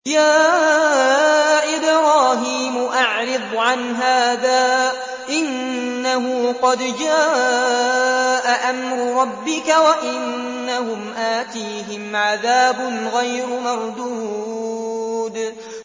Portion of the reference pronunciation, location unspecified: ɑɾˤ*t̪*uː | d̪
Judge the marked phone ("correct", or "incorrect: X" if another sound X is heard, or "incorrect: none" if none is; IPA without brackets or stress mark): incorrect: d̪